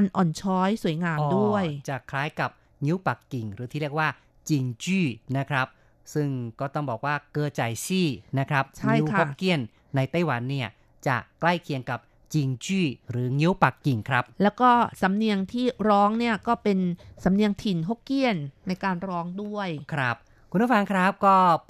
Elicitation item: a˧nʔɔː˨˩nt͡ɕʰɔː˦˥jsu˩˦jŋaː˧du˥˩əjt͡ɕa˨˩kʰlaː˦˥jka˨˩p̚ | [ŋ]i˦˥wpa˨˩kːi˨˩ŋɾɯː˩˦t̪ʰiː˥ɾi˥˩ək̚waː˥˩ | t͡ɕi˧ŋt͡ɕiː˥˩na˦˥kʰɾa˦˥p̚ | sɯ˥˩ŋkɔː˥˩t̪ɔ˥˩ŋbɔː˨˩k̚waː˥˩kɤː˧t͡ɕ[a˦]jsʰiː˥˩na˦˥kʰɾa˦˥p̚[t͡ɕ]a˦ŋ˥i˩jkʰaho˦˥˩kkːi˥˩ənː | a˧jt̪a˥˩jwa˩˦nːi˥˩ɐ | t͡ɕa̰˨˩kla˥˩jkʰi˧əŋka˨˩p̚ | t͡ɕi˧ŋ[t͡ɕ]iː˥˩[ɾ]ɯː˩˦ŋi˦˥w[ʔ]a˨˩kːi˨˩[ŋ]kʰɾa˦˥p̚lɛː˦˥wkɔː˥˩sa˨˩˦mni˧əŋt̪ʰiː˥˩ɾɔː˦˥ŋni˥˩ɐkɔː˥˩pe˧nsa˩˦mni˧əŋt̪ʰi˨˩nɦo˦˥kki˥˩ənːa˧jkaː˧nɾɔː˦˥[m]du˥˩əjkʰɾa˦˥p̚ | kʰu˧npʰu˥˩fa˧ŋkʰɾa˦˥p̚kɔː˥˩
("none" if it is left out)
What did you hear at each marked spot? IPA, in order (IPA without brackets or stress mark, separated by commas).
ŋ, a˨˩, t͡ɕʰ, t͡ɕ, ɾ, p, ŋ, ŋ